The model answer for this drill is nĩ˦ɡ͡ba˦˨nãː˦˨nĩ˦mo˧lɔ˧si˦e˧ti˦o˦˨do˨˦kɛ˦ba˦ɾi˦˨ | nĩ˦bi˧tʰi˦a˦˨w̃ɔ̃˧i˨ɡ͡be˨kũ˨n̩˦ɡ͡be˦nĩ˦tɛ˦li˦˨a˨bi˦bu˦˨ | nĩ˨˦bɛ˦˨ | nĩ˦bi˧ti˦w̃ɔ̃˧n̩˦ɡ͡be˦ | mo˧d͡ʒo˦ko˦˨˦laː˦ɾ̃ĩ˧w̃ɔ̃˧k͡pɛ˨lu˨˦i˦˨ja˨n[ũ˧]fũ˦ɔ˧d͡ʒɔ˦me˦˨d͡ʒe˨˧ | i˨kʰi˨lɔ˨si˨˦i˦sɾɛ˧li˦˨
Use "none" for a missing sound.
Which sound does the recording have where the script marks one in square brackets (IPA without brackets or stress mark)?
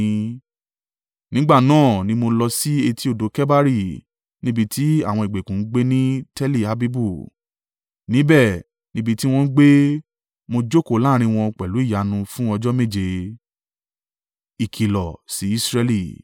ũ˧